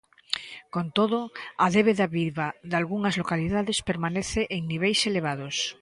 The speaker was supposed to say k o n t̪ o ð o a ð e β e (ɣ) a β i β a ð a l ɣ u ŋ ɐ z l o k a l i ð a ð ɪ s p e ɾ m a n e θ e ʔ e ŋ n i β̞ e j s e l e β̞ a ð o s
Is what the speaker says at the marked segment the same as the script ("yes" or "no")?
no